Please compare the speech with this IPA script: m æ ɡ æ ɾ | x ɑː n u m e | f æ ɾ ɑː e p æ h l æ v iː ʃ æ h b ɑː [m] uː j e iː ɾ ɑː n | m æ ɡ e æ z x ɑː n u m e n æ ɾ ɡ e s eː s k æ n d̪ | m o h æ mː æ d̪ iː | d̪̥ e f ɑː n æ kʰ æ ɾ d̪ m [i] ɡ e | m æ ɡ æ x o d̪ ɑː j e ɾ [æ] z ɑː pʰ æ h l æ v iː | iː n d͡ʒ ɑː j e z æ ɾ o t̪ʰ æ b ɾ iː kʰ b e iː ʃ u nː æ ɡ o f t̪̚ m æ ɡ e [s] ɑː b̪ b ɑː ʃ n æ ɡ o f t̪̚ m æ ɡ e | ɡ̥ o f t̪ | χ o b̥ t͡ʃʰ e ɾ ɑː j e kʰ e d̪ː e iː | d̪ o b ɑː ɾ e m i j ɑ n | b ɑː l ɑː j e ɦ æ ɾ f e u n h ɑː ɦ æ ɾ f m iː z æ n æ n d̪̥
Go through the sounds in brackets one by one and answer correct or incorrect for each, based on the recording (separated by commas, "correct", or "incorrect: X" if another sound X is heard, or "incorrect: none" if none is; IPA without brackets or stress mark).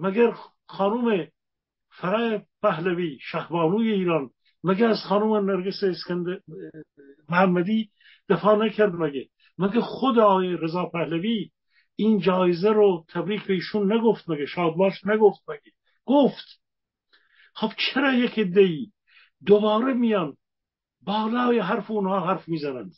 incorrect: n, incorrect: æ, incorrect: e, incorrect: ʃ